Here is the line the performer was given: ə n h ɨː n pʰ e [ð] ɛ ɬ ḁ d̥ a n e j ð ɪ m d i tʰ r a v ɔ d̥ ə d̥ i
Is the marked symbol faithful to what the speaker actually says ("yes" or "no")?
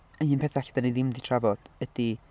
no